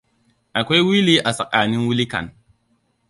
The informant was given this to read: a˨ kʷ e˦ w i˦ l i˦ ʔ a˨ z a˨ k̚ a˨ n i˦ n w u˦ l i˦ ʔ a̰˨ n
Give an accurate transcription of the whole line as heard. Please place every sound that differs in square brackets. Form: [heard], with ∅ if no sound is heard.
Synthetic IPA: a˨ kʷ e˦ w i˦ l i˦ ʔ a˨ [s] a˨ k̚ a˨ n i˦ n w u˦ l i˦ [k] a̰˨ n